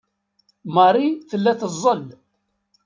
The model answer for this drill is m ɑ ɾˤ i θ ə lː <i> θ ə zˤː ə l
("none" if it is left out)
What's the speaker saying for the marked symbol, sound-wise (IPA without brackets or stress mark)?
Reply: æ